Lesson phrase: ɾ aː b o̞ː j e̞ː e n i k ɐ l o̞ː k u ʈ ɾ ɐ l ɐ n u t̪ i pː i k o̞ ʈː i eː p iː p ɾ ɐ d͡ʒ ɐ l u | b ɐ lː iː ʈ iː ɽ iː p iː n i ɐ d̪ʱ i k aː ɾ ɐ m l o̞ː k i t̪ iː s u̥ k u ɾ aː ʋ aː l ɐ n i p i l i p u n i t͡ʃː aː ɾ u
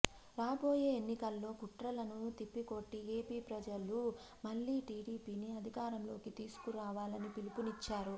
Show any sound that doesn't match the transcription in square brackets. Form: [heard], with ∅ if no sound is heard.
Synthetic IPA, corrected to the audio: ɾ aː b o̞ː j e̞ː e [nː] i k ɐ [lː] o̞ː k u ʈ ɾ ɐ l ɐ n u t̪ i pː i k o̞ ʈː i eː p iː p ɾ ɐ d͡ʒ ɐ l u | [m] ɐ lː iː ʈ iː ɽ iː p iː n i ɐ d̪ʱ i k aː ɾ ɐ m l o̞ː k i t̪ iː s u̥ k u ɾ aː ʋ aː l ɐ n i p i l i p u n i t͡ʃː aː ɾ u